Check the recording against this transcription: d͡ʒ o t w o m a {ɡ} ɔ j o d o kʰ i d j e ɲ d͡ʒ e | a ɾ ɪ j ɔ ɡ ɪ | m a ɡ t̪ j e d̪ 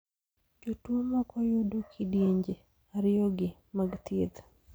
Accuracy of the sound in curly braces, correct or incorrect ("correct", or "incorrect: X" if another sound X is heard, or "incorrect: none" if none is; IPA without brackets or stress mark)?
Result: incorrect: k